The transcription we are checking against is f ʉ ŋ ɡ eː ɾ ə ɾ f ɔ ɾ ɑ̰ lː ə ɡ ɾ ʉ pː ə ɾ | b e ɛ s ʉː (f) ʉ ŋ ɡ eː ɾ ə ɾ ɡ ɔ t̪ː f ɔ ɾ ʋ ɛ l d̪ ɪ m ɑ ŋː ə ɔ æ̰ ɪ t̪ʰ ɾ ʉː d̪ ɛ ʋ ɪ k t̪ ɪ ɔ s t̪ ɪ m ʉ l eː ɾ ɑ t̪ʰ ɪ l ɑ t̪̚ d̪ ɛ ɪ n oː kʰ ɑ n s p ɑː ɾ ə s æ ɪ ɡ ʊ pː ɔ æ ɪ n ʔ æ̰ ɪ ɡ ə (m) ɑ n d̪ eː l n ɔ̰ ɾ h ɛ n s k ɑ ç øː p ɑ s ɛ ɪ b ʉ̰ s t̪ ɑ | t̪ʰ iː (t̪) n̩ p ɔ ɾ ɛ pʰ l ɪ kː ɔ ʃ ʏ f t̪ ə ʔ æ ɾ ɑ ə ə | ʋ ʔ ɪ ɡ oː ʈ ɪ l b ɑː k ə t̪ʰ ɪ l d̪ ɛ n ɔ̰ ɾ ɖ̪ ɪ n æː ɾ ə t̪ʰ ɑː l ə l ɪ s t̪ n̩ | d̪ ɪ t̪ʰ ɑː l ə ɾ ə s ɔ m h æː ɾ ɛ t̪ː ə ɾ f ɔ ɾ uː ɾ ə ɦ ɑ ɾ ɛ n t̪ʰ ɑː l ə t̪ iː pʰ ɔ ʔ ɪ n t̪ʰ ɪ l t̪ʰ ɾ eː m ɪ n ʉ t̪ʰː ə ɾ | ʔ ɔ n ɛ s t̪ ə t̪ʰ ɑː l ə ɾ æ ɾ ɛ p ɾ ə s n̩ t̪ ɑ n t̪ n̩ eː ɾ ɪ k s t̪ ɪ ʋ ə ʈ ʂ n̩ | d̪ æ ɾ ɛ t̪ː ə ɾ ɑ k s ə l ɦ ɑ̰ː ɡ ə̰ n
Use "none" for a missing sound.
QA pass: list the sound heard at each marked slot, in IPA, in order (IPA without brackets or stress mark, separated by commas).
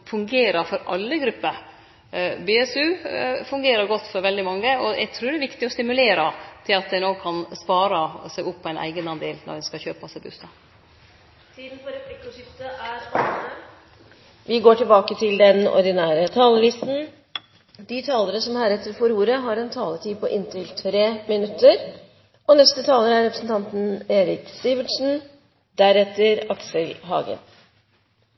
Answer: f, n, d̪